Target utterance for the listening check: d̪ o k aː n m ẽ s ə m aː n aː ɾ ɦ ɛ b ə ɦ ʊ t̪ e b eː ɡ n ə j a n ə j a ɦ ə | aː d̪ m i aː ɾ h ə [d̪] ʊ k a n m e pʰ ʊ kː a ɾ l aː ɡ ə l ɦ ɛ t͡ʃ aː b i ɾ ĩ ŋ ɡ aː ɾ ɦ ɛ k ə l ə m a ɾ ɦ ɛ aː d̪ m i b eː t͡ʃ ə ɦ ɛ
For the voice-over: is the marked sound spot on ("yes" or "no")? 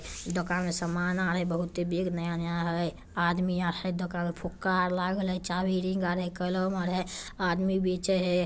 yes